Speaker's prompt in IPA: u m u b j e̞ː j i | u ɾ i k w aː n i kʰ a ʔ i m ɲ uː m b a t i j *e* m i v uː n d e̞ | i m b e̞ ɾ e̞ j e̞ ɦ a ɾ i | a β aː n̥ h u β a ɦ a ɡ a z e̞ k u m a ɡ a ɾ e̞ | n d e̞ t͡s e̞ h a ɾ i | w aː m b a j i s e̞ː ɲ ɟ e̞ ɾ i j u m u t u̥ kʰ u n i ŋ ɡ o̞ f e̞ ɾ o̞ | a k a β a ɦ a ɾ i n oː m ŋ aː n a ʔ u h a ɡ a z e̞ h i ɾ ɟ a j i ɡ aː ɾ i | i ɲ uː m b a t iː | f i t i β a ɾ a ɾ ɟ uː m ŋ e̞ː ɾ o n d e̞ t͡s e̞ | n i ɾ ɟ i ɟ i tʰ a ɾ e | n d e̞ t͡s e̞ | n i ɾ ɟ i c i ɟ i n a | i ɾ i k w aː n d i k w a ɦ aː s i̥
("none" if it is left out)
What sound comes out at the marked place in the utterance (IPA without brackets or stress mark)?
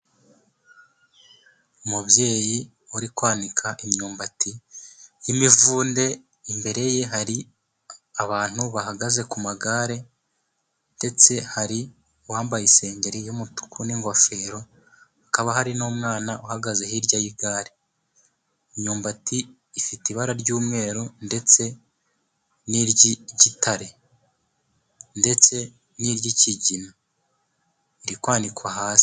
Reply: i